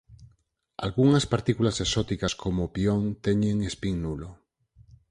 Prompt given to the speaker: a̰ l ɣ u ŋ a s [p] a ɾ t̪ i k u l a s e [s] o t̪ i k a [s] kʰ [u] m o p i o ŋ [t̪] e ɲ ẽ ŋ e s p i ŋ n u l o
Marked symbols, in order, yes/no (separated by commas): yes, yes, yes, no, yes